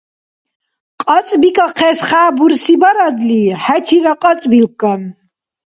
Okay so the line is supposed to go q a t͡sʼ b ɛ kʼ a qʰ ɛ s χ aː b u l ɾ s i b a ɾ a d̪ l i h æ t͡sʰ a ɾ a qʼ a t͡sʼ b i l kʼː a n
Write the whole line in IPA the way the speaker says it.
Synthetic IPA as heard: qʼ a t͡sʼ b i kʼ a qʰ ɛ s χ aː b u ɾ s i b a ɾ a d̪ l i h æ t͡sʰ i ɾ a qʼ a t͡sʼ b i l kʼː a n